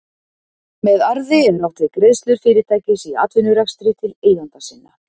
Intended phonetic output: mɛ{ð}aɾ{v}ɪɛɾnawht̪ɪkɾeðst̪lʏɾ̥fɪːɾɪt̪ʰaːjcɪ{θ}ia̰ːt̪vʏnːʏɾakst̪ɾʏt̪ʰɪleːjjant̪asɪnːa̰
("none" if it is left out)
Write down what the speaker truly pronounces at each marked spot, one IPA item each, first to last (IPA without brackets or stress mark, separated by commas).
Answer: ð, ð, s